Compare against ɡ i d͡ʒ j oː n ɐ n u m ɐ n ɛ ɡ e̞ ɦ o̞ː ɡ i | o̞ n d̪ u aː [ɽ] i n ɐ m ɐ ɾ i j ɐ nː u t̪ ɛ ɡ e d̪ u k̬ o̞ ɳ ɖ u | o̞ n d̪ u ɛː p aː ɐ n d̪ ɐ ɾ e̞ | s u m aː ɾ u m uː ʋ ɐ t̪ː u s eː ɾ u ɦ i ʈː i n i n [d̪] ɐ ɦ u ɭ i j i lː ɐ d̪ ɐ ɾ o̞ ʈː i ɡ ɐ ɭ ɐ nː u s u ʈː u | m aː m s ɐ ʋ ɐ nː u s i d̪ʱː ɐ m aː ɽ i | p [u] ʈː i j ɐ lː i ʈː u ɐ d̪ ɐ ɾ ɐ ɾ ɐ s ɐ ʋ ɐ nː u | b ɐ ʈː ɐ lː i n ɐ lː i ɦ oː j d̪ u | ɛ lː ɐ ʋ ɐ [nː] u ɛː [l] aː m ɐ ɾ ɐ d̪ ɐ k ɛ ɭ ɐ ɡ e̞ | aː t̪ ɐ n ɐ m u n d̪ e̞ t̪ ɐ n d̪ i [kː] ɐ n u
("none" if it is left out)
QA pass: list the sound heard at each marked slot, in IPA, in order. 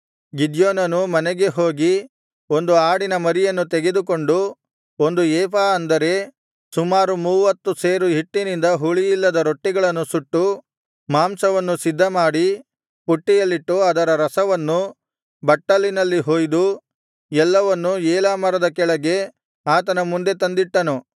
ɽ, d̪, u, nː, l, ʈː

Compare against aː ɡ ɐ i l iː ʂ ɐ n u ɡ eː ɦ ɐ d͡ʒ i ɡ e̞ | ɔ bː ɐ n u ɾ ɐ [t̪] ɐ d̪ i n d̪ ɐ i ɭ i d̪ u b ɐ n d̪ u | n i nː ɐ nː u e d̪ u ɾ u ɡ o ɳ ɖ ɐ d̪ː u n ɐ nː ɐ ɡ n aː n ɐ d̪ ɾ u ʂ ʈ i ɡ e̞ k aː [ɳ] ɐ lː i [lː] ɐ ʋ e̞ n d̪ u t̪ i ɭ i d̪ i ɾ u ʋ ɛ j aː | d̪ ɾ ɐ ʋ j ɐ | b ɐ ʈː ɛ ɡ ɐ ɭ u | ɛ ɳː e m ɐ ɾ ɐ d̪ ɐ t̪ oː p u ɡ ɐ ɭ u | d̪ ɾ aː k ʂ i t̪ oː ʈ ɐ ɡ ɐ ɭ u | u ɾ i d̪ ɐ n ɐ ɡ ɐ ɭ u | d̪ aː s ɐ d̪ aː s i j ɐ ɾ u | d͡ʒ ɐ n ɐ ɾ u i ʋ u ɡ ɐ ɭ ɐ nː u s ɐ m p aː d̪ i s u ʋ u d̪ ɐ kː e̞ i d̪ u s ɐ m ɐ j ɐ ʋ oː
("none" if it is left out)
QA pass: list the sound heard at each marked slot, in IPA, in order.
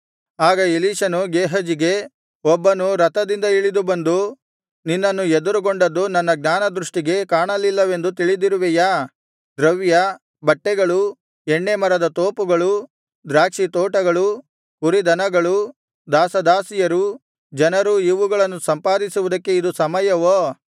t̪, ɳ, lː

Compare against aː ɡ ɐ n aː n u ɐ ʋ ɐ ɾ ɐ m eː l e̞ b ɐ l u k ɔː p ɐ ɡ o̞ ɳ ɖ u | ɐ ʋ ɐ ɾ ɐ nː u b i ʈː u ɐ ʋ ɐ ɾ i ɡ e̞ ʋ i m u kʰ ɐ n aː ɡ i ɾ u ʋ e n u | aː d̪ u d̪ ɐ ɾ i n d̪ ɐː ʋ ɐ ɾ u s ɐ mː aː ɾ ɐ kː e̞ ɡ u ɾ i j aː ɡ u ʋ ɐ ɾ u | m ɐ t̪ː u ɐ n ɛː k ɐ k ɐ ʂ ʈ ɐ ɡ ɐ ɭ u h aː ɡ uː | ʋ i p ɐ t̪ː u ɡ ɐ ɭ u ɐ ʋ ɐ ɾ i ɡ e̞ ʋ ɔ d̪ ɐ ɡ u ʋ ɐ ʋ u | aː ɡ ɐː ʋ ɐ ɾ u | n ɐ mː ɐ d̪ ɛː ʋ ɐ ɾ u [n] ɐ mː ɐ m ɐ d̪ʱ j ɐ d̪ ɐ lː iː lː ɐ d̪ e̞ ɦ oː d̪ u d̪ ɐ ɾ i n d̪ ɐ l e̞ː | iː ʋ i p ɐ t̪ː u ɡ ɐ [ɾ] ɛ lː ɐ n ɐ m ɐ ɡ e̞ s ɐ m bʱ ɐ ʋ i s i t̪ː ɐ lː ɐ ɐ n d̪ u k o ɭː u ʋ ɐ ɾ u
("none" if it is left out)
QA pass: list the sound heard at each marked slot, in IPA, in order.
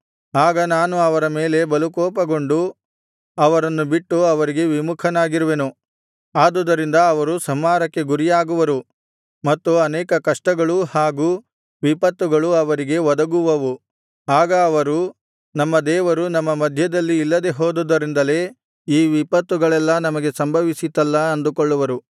n, ɭ

